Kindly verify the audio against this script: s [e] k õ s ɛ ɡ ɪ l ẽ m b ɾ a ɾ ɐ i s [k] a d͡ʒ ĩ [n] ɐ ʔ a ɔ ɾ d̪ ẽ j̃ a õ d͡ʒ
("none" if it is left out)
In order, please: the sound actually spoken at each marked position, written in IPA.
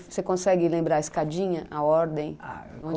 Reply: e, k, ɲ

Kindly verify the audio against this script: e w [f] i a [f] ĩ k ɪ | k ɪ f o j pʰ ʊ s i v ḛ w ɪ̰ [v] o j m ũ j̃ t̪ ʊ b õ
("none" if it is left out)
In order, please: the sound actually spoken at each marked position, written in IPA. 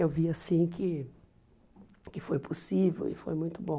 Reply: v, s, f

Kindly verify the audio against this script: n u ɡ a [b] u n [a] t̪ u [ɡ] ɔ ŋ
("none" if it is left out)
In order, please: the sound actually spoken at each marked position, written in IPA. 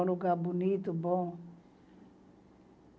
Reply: b, i, b

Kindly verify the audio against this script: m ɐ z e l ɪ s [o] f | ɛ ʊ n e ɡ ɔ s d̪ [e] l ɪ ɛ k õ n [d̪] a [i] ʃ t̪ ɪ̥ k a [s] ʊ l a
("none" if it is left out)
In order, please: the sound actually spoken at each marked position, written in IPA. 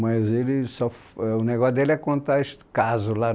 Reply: ɔ, e, t̪, e, z

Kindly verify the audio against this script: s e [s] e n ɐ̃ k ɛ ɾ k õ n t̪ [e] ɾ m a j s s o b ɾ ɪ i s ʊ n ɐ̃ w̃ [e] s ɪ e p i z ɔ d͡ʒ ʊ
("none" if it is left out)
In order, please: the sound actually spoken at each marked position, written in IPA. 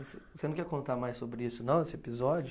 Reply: s, a, e

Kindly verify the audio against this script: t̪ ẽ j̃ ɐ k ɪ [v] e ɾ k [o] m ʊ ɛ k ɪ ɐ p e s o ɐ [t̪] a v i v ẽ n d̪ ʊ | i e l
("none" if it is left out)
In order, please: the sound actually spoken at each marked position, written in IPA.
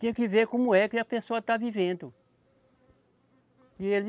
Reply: v, õ, t̪

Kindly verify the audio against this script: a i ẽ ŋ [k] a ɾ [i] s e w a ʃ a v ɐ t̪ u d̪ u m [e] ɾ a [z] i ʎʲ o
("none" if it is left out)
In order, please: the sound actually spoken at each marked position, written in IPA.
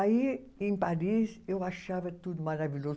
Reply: p, i, a, v

